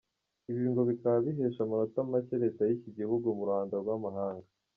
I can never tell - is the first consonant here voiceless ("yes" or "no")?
no